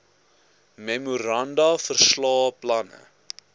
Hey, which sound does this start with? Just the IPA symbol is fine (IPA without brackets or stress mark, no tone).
m